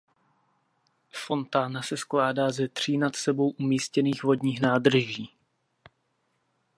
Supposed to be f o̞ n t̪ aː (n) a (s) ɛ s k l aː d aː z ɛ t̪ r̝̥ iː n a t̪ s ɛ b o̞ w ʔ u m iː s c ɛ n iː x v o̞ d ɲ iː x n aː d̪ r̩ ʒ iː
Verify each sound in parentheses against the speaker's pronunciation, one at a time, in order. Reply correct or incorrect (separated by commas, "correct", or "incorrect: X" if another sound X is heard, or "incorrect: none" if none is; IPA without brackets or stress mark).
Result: correct, correct